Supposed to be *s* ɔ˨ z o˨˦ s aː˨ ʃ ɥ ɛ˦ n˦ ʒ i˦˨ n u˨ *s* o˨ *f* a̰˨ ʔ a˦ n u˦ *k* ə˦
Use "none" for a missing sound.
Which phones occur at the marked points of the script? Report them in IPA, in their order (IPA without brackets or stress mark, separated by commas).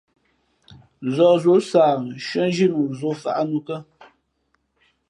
z, z, f, k